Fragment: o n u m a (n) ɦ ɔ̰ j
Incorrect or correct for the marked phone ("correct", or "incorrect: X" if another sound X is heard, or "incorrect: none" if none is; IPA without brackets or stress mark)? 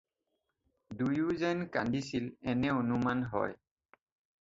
correct